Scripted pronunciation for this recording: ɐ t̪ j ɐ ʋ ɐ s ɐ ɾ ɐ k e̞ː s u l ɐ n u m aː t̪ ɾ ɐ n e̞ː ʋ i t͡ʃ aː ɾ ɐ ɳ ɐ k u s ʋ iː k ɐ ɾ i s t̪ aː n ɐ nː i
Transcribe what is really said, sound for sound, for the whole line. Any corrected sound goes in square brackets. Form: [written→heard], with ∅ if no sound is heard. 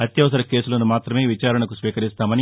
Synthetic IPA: ɐ t̪ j ɐ ʋ ɐ s ɐ ɾ ɐ k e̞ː s u l ɐ n u m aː t̪ ɾ ɐ [n→m] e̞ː ʋ i t͡ʃ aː ɾ ɐ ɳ ɐ k u s ʋ iː k ɐ ɾ i s t̪ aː [n→m] ɐ [nː→n] i